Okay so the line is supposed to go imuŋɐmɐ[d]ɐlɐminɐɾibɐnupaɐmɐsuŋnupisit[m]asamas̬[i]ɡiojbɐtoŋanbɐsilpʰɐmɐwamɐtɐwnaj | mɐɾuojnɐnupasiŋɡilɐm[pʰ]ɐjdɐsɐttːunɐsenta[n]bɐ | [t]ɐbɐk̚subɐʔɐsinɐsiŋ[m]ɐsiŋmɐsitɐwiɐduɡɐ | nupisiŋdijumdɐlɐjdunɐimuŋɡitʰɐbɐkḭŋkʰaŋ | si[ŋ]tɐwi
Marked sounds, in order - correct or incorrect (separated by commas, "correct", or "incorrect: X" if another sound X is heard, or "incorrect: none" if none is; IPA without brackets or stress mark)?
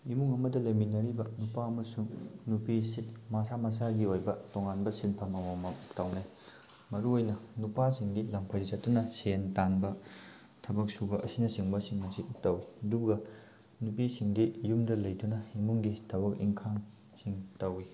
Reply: correct, correct, incorrect: a, correct, correct, incorrect: tʰ, incorrect: b, correct